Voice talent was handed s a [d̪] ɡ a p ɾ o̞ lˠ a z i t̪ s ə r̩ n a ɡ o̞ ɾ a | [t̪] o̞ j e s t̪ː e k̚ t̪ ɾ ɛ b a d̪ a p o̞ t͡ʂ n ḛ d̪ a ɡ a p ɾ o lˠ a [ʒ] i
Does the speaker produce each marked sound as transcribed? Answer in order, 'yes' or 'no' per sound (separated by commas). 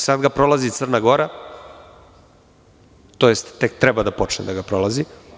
yes, yes, no